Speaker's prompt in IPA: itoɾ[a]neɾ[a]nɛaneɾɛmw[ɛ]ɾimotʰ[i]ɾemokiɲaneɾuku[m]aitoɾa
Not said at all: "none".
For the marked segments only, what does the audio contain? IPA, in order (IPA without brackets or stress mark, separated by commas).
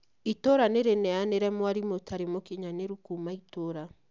a, e, a, a, m